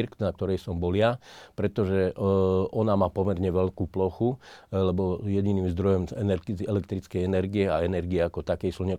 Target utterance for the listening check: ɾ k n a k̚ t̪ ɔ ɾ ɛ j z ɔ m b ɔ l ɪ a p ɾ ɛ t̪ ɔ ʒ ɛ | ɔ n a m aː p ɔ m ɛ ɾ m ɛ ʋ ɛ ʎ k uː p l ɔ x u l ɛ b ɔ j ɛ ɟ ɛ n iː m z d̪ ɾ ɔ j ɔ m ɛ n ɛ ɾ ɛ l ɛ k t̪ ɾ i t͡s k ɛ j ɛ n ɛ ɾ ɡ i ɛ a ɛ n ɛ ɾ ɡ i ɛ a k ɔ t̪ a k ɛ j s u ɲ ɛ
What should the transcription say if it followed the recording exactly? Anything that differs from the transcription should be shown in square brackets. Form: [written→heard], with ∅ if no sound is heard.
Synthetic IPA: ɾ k n a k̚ t̪ ɔ ɾ ɛ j [z→s] ɔ m b ɔ l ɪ a p ɾ ɛ t̪ ɔ ʒ ɛ | ɔ n a m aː p ɔ m ɛ ɾ [m→ɲ] ɛ ʋ ɛ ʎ k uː p l ɔ x u l ɛ b ɔ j ɛ ɟ [ɛ→i] n iː m z d̪ ɾ ɔ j ɔ m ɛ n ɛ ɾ ɛ l ɛ k t̪ ɾ i t͡s k ɛ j ɛ n ɛ ɾ ɡ i ɛ a ɛ n ɛ ɾ ɡ i ɛ a k ɔ t̪ a k ɛ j s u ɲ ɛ